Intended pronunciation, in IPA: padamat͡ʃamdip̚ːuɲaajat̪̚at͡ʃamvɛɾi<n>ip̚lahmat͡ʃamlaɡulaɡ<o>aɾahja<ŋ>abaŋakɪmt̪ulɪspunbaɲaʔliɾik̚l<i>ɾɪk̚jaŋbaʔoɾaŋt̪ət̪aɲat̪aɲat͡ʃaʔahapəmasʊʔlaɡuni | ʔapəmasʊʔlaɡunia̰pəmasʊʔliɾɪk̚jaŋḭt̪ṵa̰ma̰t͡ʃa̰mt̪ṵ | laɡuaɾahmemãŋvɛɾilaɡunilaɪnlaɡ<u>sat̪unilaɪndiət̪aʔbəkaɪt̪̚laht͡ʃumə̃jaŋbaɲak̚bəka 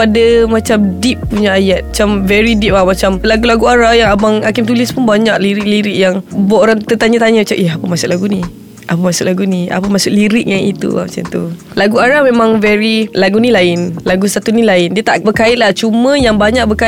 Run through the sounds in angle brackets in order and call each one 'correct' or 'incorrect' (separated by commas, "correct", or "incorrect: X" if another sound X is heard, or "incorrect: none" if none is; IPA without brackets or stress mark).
incorrect: d, incorrect: u, correct, correct, correct